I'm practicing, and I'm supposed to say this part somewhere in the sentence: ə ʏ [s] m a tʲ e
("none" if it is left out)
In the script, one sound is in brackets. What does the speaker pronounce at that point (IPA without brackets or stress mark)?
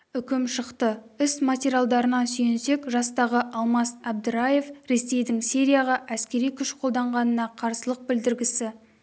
s